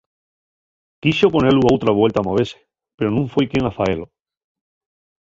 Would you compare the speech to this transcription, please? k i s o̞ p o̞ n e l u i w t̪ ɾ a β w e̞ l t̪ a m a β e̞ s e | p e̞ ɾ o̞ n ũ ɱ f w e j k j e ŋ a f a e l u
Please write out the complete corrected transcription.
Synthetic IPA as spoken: k i s o̞ p o̞ n e l u a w t̪ ɾ a β w e̞ l t̪ a m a β e̞ s e | p e̞ ɾ o̞ n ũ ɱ f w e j k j e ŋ a f a e l o